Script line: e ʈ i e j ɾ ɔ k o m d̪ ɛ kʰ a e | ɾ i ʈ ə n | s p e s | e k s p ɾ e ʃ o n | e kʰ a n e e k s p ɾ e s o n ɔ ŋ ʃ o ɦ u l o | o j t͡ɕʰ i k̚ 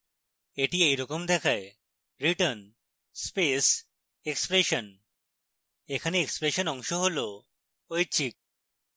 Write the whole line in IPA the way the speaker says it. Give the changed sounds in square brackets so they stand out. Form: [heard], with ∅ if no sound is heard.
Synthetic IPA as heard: e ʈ i e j ɾ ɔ k o m d̪ ɛ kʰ a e | ɾ i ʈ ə n | s p e s | e k s p ɾ e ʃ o n | e kʰ a n e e k s p ɾ e [ʃ] o n ɔ ŋ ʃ o ɦ [o] l o | o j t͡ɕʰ i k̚